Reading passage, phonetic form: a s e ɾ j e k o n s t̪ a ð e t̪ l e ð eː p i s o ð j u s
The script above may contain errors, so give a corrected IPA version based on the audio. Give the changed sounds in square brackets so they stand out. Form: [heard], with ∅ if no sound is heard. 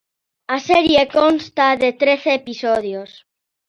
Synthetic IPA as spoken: a s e ɾ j e k o n s t̪ a ð e t̪ [ɾ] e [θ] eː p i s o ð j [o] s